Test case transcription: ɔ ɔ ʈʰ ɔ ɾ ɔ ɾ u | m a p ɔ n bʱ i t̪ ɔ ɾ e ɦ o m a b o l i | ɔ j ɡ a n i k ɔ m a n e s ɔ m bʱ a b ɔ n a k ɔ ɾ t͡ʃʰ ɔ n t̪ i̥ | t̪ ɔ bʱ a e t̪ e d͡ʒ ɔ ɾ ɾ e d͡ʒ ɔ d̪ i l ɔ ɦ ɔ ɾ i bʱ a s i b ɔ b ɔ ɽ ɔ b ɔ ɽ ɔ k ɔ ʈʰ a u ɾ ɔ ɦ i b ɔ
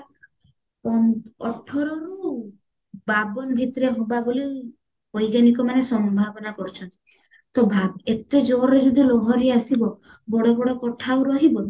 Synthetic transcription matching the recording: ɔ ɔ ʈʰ ɔ ɾ ɔ ɾ u | b a b ɔ n bʱ i t̪ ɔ ɾ e ɦ o b a b o l i | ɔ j ɡ a n i k ɔ m a n e s ɔ m bʱ a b ɔ n a k ɔ ɾ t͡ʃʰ ɔ n t̪ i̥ | t̪ ɔ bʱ a e t̪ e d͡ʒ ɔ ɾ ɾ e d͡ʒ ɔ d̪ i l ɔ ɦ ɔ ɾ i a s i b ɔ b ɔ ɽ ɔ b ɔ ɽ ɔ k ɔ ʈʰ a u ɾ ɔ ɦ i b ɔ